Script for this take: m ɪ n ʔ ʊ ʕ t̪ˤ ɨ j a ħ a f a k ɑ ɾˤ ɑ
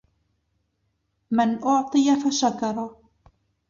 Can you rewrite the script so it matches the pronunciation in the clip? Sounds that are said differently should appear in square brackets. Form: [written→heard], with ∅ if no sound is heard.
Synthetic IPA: m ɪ n ʔ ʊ ʕ t̪ˤ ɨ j a [ħ→f] a [f→ʃ] a k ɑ ɾˤ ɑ